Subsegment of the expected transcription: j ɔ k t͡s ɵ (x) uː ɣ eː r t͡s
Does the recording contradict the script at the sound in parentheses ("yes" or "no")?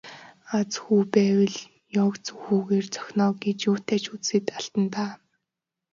no